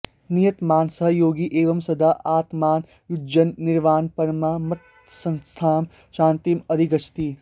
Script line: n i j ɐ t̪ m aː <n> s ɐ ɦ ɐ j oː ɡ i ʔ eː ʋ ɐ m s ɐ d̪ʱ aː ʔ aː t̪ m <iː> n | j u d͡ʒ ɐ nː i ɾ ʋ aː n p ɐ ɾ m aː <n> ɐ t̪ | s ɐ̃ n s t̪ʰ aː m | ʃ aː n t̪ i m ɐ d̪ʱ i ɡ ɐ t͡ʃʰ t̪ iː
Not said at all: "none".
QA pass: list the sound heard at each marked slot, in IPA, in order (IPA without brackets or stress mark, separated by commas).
n, aː, m